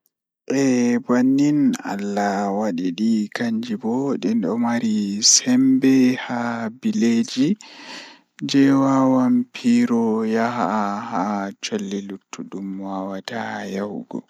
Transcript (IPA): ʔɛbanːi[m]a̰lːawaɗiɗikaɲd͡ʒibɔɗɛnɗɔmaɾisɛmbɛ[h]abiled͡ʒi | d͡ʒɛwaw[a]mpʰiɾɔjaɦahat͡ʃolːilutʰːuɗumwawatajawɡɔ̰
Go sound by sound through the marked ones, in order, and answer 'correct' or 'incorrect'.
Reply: incorrect, correct, correct

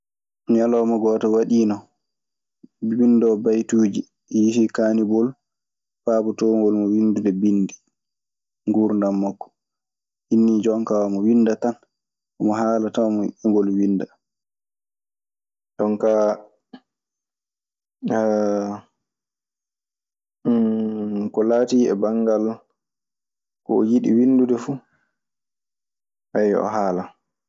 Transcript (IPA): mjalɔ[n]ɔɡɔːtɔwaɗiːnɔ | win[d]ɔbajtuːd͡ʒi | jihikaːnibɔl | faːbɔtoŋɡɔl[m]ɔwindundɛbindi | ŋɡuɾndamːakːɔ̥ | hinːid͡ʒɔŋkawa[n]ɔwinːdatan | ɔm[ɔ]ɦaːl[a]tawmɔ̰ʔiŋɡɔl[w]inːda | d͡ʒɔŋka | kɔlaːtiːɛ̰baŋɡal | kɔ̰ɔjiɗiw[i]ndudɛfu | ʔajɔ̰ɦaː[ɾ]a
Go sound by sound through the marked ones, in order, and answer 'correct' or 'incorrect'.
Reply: incorrect, correct, correct, incorrect, correct, correct, correct, correct, incorrect

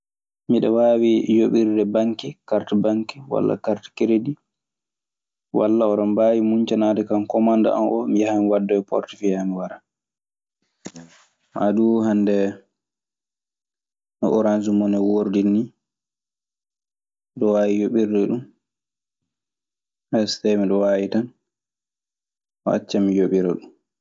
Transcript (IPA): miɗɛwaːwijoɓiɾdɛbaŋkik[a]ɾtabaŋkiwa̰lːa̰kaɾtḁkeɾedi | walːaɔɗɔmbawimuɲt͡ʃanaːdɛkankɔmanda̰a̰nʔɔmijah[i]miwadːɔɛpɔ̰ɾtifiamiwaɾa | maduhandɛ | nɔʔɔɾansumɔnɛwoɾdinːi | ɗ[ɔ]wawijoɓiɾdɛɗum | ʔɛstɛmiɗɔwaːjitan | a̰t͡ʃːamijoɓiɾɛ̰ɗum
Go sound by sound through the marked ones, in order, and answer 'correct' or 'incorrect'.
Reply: correct, incorrect, correct

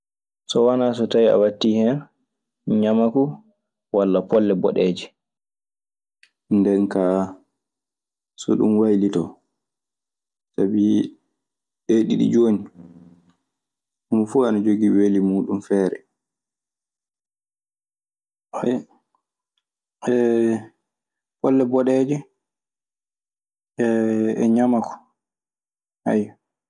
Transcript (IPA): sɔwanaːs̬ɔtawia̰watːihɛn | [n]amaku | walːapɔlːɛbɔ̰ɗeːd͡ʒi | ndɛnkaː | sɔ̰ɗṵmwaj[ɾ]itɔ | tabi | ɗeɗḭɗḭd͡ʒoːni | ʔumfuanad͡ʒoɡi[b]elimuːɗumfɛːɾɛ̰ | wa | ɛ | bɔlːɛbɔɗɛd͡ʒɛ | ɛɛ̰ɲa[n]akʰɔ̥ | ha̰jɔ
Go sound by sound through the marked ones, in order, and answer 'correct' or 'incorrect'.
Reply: incorrect, incorrect, incorrect, incorrect

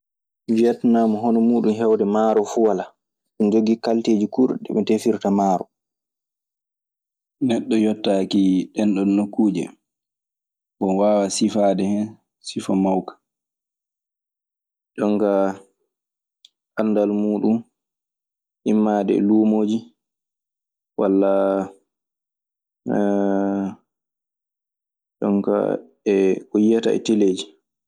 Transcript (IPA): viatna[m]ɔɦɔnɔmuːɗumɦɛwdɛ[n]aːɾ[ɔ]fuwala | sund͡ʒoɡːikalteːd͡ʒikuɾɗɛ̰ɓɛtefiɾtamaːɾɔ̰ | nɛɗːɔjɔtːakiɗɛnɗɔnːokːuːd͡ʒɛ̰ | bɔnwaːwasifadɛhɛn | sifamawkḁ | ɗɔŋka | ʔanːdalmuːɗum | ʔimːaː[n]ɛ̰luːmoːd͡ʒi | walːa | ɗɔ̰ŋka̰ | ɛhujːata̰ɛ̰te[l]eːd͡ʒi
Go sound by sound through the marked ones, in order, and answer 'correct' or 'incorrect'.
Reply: correct, incorrect, correct, incorrect, correct

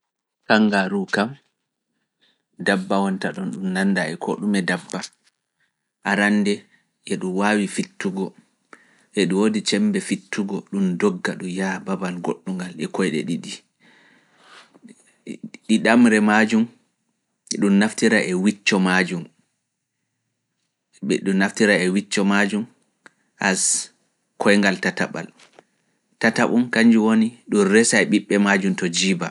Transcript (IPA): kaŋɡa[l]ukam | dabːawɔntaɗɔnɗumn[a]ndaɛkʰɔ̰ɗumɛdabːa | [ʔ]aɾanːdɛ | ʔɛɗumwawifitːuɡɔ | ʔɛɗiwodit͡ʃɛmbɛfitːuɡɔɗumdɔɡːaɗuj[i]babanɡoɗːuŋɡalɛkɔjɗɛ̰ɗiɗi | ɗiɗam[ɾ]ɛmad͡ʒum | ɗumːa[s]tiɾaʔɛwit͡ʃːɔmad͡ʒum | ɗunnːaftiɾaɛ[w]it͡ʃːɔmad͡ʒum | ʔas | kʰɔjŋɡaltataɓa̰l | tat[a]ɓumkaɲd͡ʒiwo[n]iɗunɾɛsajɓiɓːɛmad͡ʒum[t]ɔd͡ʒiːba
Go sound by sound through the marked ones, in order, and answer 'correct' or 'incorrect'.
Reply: incorrect, correct, correct, incorrect, correct, incorrect, correct, correct, correct, correct

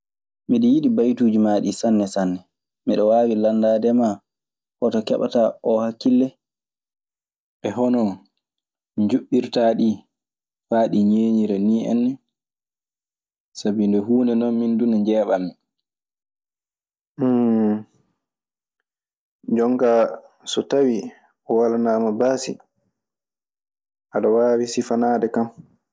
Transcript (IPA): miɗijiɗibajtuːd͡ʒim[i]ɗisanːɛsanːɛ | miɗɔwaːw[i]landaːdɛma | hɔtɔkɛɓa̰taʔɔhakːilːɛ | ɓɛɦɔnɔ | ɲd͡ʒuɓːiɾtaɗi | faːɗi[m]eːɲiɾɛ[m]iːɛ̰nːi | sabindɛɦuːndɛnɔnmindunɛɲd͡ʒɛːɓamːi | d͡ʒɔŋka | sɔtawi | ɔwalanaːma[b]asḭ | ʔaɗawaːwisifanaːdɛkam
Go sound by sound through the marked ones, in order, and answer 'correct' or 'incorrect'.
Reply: incorrect, correct, incorrect, incorrect, correct

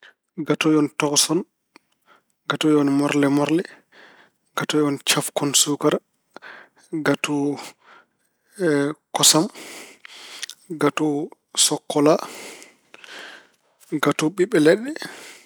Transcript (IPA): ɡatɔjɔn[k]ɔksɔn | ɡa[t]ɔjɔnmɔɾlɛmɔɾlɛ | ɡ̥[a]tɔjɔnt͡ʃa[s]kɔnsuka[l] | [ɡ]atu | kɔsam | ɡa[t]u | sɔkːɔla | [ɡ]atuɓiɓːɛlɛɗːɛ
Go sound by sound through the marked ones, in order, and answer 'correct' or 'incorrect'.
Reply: incorrect, correct, correct, incorrect, incorrect, correct, correct, correct

